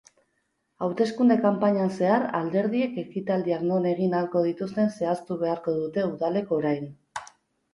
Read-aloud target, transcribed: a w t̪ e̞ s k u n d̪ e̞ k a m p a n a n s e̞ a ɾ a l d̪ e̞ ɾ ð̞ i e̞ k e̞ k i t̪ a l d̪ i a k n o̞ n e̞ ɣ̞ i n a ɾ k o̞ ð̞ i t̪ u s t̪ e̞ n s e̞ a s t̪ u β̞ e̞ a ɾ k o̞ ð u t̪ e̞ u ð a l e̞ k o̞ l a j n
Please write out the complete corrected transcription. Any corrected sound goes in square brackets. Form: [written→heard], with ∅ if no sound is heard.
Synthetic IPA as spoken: a w t̪ e̞ s k u n d̪ e̞ k a m p a [n→ɲ] a n s e̞ a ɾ a l d̪ e̞ ɾ ð̞ i e̞ k e̞ k i t̪ a l d̪ i a k n o̞ n e̞ ɣ̞ i n a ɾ k o̞ ð̞ i t̪ u s t̪ e̞ n s e̞ a s t̪ u β̞ e̞ a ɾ k o̞ ð u t̪ e̞ u ð a l e̞ k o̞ [l→ɾ] a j n